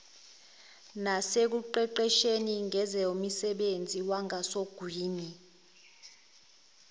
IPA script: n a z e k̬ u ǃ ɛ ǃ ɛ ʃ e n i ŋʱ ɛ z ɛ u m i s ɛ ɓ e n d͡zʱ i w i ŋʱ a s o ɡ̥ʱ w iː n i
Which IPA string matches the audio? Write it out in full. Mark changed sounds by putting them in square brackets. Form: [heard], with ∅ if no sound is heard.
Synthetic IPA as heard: n a [s] e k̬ u ǃ ɛ ǃ ɛ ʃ e n i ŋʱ ɛ z ɛ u m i s ɛ ɓ e n d͡zʱ i w [a] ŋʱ a s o ɡ̥ʱ w iː n i

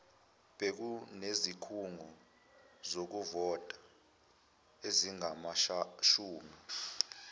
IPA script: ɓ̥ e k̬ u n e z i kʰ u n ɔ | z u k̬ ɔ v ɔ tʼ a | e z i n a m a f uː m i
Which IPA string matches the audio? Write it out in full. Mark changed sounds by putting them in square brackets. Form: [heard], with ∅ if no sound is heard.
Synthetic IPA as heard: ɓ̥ e k̬ u n e z i kʰ u [ŋ] ɔ | z [o] k̬ [u] v ɔ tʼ a | e z i [ŋ] a m a [ʃ] uː m i

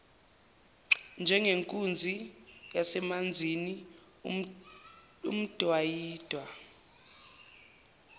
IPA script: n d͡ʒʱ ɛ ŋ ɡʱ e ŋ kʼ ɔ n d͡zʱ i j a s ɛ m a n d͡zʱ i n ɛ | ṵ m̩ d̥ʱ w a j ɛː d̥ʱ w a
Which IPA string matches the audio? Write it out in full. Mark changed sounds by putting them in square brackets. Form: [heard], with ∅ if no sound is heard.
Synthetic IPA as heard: n d͡ʒʱ ɛ ŋ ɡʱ e ŋ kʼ [u] n d͡zʱ i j a s ɛ m a n d͡zʱ i n [i] | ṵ m̩ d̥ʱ w a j [iː] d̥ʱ w a

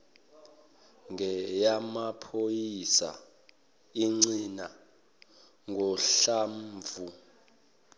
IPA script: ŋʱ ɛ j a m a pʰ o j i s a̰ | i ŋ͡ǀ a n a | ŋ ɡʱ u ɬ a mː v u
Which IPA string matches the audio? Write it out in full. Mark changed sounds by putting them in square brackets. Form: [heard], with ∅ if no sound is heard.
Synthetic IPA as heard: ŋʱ ɛ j a m a pʰ o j i s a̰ | i ŋ͡ǀ [i] n a | ŋ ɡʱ [ɔ] ɬ a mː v u

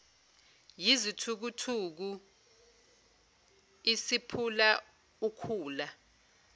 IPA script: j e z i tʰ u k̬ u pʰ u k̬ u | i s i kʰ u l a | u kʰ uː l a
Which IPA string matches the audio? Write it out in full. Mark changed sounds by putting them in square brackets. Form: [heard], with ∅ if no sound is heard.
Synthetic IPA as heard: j [i] z i tʰ u k̬ u [tʰ] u k̬ u | i s i [pʰ] u l a | u kʰ uː l a

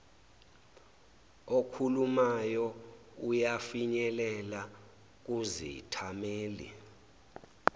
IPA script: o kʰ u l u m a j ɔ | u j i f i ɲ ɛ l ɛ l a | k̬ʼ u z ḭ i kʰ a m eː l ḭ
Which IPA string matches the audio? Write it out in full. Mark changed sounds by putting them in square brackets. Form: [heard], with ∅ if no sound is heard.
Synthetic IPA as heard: o kʰ u l u m a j ɔ | u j [a] f i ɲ ɛ l ɛ l a | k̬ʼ u z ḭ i [tʰ] a m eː l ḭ

